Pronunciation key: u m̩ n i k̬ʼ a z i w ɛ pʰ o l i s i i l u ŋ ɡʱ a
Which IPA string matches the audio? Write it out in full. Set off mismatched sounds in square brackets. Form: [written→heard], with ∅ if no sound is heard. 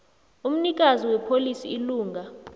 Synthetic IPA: u m̩ n i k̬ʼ a z i w ɛ pʰ o l i s i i l [u→uː] ŋ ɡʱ a